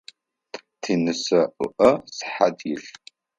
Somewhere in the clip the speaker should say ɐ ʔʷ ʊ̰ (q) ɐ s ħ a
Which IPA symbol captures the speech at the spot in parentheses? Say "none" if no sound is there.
ʔ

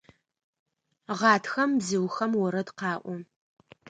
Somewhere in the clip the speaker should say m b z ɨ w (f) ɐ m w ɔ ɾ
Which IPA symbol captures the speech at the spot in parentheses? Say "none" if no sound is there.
x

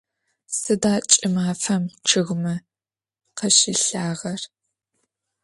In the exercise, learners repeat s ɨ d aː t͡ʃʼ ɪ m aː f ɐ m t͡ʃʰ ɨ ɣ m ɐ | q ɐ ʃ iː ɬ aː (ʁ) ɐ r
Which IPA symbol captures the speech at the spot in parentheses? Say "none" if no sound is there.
ʁ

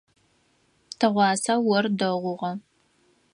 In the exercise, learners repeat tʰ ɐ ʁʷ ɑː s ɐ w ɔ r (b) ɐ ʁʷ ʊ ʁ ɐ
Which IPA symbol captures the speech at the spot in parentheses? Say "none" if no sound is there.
d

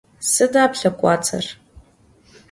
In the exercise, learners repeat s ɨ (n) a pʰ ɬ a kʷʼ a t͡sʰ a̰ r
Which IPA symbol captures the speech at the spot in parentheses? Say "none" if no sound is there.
d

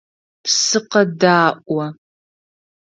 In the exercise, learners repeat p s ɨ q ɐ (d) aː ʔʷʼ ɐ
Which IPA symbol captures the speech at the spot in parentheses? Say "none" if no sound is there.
d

